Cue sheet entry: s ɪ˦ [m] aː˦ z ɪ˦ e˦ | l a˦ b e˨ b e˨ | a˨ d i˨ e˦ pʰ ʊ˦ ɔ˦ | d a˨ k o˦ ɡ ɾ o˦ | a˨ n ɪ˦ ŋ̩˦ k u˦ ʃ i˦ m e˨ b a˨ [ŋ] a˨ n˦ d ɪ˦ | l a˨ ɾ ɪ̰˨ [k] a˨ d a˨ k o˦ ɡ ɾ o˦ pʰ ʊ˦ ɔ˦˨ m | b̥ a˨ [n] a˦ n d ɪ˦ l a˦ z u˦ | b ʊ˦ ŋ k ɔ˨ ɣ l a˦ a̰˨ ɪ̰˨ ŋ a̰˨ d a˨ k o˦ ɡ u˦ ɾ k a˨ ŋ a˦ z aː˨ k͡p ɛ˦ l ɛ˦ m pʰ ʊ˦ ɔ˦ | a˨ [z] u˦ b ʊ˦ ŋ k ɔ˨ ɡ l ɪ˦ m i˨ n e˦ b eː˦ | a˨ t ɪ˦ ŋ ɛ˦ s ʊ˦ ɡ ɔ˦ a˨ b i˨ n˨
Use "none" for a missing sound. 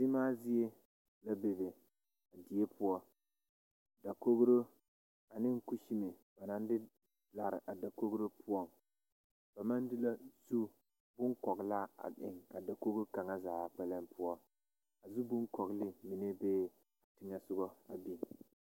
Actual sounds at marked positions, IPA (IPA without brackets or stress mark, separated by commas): m, n, ʔ, m, z